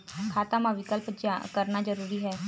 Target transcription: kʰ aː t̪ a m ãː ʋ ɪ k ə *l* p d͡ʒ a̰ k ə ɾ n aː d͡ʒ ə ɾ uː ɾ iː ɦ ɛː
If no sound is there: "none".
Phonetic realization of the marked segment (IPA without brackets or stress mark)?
l